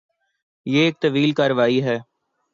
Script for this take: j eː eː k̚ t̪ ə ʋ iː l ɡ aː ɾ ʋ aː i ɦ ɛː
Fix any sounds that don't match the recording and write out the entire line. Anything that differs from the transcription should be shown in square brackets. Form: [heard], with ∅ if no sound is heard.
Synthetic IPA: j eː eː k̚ t̪ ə ʋ iː l [k] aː ɾ ʋ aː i ɦ ɛː